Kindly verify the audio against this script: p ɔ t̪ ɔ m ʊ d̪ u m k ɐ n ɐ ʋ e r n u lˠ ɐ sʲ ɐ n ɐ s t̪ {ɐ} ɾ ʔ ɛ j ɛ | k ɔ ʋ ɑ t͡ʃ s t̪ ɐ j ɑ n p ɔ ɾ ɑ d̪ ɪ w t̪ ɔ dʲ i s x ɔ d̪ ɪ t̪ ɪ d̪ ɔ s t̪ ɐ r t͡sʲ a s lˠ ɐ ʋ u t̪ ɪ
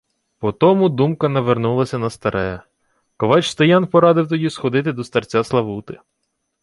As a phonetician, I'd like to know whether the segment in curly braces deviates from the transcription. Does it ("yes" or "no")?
no